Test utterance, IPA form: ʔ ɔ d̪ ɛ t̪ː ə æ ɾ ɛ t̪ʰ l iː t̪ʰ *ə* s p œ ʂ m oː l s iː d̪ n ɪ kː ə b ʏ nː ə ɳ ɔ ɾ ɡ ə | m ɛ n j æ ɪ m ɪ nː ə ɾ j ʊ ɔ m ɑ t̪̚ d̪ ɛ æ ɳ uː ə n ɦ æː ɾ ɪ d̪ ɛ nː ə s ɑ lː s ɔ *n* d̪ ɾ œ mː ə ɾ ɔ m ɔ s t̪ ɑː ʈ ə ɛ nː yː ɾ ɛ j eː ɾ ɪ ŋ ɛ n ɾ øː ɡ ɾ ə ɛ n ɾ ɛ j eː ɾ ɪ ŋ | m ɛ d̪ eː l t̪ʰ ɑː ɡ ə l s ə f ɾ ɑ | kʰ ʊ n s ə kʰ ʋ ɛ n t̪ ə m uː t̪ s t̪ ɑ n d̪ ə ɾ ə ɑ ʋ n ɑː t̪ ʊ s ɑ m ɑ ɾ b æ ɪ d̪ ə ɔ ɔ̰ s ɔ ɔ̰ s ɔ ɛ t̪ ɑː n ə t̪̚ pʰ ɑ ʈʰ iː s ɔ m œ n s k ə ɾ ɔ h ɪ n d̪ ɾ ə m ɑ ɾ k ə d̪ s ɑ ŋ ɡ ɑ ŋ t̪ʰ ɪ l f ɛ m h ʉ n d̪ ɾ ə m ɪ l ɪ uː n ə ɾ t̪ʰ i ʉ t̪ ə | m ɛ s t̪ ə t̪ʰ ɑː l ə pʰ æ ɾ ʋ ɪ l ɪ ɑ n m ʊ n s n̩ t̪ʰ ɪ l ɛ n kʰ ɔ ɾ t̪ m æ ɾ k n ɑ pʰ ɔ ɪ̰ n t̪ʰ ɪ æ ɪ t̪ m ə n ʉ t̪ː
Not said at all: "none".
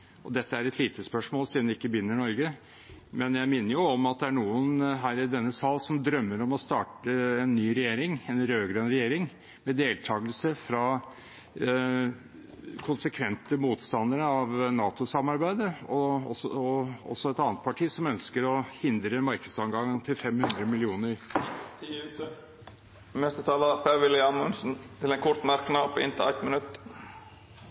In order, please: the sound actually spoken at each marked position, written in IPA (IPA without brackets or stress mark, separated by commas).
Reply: ə, m